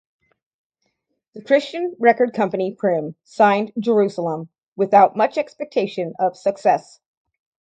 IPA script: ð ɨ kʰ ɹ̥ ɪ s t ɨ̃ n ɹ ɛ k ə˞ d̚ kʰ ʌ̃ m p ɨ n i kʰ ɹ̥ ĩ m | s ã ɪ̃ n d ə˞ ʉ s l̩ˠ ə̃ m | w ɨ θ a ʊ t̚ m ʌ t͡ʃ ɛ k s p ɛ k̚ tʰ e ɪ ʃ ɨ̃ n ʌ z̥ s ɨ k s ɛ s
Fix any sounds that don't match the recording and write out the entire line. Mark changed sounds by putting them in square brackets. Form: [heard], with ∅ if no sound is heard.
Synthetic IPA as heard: ð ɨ kʰ ɹ̥ ɪ s [t͡ʃ] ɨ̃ n ɹ ɛ k ə˞ d̚ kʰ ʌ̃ m p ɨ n i [pʰ] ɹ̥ [ɪ̃] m | s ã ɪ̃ n [d͡ʒ] ə˞ ʉ s l̩ˠ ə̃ m | w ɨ θ a ʊ t̚ m ʌ t͡ʃ ɛ k s p ɛ k̚ tʰ e ɪ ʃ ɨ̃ n ʌ [v̥] s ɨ k s ɛ s